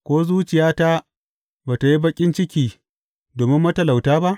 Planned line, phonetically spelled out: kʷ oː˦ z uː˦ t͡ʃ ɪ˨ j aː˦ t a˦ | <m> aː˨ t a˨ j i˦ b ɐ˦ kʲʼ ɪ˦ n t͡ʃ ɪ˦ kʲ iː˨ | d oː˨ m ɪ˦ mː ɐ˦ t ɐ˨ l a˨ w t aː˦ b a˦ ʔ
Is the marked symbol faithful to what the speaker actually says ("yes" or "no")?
no